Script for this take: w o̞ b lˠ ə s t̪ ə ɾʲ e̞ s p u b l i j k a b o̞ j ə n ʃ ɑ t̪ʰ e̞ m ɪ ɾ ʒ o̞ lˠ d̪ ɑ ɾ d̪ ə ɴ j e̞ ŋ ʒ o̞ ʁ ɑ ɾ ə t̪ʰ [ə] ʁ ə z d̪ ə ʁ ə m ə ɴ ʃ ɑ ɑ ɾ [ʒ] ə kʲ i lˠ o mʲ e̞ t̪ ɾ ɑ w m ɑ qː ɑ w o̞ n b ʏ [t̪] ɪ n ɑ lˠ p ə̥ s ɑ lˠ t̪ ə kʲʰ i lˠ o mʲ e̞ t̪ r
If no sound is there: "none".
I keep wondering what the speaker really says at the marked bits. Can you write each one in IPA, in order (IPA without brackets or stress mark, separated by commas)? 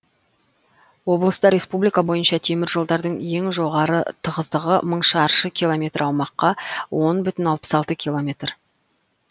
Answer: ə, ʃ, t̪